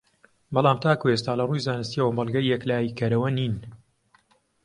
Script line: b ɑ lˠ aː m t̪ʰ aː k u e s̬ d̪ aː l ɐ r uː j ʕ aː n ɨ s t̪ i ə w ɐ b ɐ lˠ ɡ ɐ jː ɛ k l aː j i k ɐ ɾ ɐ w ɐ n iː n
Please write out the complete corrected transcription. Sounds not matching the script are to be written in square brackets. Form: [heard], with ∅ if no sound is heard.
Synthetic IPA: b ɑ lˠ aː m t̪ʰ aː k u e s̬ [t̪] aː l ɐ r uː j [z] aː n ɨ s t̪ i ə w ɐ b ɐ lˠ ɡ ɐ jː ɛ k l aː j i k ɐ ɾ ɐ w ɐ n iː n